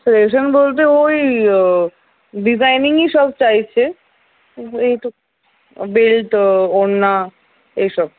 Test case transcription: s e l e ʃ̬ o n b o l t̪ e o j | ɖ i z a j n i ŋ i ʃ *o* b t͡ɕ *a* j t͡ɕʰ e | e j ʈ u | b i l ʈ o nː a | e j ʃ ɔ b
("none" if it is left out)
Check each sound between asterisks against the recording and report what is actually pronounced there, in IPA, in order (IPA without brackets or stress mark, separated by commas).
ɔ, a